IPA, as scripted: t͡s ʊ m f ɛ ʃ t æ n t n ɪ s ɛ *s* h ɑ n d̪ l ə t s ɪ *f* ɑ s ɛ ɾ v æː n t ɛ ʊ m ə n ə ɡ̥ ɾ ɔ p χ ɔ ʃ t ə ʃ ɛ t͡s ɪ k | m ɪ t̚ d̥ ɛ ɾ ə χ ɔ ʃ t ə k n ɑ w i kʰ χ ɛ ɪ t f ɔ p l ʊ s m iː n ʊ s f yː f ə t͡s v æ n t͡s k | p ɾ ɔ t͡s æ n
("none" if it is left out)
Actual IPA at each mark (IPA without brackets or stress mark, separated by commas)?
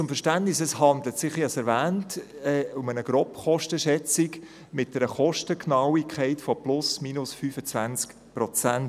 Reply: s, χ